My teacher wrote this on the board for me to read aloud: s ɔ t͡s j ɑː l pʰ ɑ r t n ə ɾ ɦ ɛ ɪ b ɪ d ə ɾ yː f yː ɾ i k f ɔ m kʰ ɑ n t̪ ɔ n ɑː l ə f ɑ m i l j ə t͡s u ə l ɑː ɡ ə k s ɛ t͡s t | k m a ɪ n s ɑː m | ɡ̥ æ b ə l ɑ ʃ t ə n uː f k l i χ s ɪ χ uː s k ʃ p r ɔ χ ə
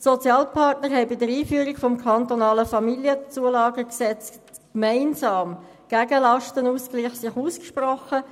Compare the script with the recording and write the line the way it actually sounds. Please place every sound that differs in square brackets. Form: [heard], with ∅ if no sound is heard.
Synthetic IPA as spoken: s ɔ t͡s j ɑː l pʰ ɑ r t n ə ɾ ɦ ɛ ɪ b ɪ d ə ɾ [iː] f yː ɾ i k f ɔ m kʰ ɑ n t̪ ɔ n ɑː l ə f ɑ m i l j ə t͡s u ə l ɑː ɡ ə k s ɛ t͡s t | k m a ɪ n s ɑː m | ɡ̥ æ [ɡ] ə l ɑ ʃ t ə n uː [s] k l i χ s ɪ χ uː s k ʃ p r ɔ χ ə